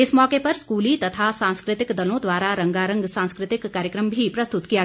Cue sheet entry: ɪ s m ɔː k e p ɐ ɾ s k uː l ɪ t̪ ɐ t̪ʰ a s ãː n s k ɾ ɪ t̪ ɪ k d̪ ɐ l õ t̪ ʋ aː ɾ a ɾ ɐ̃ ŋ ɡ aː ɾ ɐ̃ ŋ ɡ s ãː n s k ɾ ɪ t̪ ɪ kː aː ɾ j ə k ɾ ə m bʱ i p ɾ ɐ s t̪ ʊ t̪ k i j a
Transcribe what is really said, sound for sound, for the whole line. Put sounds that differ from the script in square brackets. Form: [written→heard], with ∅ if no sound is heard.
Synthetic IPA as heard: ɪ s m ɔː k e p ɐ ɾ s k uː l [ɪ→i] t̪ ɐ t̪ʰ a s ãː n s k ɾ ɪ t̪ ɪ k d̪ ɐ l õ [t̪→d̪] ʋ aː ɾ a ɾ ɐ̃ ŋ ɡ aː ɾ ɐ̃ ŋ ɡ s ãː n s k ɾ ɪ t̪ ɪ kː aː ɾ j ə k ɾ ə m bʱ i p ɾ ɐ s t̪ ʊ t̪ k i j a

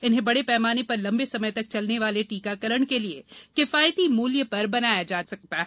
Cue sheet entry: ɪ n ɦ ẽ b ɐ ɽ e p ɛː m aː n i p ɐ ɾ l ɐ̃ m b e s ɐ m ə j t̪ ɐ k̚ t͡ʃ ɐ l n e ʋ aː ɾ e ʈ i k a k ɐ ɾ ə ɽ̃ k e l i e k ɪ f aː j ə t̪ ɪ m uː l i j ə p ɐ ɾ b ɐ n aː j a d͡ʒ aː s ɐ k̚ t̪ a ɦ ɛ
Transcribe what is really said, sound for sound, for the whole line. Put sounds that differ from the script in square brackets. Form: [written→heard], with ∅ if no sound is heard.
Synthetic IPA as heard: ɪ n ɦ ẽ b ɐ ɽ e p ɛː m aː n [i→e] p ɐ ɾ l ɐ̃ m b e s ɐ m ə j t̪ ɐ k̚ t͡ʃ ɐ l n e ʋ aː [ɾ→l] e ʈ [i→iː] k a k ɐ ɾ ə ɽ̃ k e l i e k ɪ f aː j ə t̪ [ɪ→i] m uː l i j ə p ɐ ɾ b ɐ n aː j a d͡ʒ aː s ɐ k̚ t̪ a ɦ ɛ

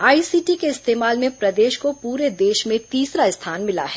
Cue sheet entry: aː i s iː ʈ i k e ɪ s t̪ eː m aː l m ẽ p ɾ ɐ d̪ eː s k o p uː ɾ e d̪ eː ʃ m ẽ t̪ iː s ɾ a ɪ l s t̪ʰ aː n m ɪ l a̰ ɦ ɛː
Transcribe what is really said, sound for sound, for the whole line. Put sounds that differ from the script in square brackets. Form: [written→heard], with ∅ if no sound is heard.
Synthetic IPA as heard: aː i s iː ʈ i k e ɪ s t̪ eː m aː l m ẽ p ɾ ɐ d̪ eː [s→ʃ] k o p uː ɾ e d̪ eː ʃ m ẽ t̪ iː s ɾ a ɪ [l→∅] s t̪ʰ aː n m ɪ l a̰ ɦ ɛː

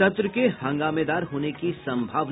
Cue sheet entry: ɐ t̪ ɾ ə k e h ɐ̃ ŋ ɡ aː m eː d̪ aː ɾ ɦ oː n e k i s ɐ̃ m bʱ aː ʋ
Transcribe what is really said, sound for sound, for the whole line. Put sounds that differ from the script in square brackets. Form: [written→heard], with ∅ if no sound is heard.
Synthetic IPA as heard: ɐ t̪ ɾ ə k e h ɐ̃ ŋ ɡ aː m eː d̪ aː ɾ ɦ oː n e k i s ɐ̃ m bʱ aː ʋ

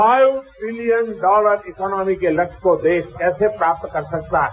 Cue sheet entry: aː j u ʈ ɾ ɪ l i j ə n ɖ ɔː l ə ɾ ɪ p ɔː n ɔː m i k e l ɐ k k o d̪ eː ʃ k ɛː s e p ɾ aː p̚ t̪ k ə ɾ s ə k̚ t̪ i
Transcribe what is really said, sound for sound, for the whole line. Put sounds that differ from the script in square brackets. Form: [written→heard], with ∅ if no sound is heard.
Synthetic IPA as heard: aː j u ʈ ɾ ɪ l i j ə n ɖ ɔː l ə ɾ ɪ [p→k] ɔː n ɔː m i k e l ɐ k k o d̪ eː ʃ k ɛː s e p ɾ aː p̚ t̪ k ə ɾ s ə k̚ t̪ [i→a]

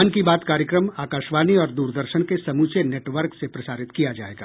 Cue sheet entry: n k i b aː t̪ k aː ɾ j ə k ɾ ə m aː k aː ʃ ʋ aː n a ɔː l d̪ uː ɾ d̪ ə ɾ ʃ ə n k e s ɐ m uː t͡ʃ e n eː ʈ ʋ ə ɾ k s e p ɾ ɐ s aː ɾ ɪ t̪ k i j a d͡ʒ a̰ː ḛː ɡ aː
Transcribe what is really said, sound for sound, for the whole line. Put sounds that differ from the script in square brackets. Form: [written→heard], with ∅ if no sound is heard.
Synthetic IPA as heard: n k i b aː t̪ k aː ɾ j ə k ɾ ə m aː k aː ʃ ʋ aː n [a→i] ɔː [l→ɾ] d̪ uː ɾ d̪ ə ɾ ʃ ə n k e s ɐ m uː t͡ʃ e n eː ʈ ʋ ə ɾ k s e p ɾ ɐ s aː ɾ ɪ t̪ k i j a d͡ʒ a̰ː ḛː ɡ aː

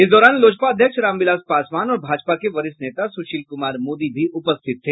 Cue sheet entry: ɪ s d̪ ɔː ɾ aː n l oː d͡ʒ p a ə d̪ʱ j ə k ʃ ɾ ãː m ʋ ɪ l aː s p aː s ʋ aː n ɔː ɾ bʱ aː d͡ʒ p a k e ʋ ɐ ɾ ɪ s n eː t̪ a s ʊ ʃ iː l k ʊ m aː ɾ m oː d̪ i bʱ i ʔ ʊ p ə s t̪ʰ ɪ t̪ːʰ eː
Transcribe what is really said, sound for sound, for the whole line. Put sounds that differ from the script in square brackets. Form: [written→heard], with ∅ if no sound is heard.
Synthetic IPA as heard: ɪ s d̪ ɔː ɾ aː n l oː d͡ʒ p a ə d̪ʱ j ə k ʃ ɾ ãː m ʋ ɪ l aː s p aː s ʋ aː n ɔː ɾ bʱ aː d͡ʒ p a k e ʋ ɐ ɾ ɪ s n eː t̪ a s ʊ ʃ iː l k ʊ m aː ɾ m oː d̪ i bʱ i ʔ ʊ p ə s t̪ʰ ɪ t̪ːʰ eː

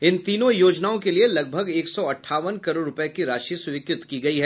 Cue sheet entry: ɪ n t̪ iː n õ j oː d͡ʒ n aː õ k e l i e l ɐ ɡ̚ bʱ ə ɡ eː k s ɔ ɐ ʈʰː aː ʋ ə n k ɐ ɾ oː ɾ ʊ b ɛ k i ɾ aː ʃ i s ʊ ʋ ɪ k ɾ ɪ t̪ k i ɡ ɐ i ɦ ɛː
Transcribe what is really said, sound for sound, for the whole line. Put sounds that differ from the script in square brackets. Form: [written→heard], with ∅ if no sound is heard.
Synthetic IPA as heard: ɪ n t̪ iː n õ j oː d͡ʒ n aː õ k e l i e l ɐ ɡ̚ bʱ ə ɡ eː k s ɔ ɐ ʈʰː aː ʋ ə n k ɐ ɾ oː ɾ ʊ [b→p] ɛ k i ɾ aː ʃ i s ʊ ʋ ɪ k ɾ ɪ t̪ k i ɡ ɐ i ɦ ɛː

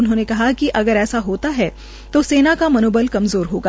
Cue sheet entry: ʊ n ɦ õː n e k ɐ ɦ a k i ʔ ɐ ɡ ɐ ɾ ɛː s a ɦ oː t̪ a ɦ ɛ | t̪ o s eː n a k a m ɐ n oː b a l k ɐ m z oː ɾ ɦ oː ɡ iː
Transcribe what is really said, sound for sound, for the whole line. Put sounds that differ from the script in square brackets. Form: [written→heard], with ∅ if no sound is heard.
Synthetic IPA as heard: ʊ n ɦ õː n e k ɐ ɦ a k i ʔ ɐ ɡ [ɐ→ə] ɾ ɛː s a ɦ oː t̪ a ɦ ɛ | t̪ o s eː n a k a m ɐ n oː b [a→ə] l k ɐ m z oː ɾ ɦ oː ɡ [iː→aː]

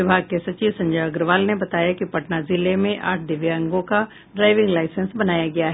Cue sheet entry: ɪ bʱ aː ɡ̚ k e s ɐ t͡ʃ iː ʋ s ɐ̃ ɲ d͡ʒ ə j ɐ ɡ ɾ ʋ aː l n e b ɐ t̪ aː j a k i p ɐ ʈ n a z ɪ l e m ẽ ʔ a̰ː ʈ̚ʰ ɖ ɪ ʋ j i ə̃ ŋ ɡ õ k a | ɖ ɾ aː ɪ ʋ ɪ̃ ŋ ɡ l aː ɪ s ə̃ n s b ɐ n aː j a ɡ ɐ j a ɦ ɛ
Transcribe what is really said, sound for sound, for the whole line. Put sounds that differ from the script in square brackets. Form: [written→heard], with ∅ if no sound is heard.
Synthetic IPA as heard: ɪ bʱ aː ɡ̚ k e s ɐ t͡ʃ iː ʋ s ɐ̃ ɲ d͡ʒ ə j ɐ ɡ ɾ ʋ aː l n e b ɐ t̪ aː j a k i p ɐ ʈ n a z ɪ l e m ẽ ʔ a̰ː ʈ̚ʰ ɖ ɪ ʋ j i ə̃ ŋ ɡ õ k a | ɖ ɾ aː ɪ ʋ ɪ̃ ŋ ɡ l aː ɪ s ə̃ n s b ɐ n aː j a ɡ ɐ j a ɦ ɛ

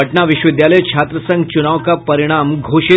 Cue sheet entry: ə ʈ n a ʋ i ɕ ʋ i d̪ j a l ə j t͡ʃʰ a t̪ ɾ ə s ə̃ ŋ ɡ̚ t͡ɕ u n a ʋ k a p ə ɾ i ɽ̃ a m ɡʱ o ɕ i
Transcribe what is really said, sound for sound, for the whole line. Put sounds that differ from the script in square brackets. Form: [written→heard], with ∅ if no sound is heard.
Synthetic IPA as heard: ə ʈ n a ʋ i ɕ ʋ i d̪ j a l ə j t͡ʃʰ a t̪ ɾ ə s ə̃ ŋ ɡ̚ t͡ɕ u n a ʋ k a p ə ɾ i ɽ̃ a m ɡʱ o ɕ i

